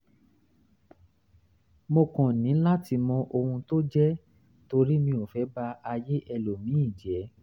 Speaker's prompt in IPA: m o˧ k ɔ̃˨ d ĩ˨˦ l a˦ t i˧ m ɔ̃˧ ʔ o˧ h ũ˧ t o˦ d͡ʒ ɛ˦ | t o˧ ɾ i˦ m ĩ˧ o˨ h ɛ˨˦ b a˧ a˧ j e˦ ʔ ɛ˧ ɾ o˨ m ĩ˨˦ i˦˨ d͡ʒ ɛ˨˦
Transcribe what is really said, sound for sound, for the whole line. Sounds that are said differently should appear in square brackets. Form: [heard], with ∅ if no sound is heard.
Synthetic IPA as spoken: m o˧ k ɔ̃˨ [n] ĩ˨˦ l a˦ t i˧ m ɔ̃˧ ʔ o˧ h ũ˧ t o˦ d͡ʒ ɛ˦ | t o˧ ɾ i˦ m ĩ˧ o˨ [f] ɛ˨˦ b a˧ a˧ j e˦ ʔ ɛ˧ [l] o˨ m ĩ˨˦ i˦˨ d͡ʒ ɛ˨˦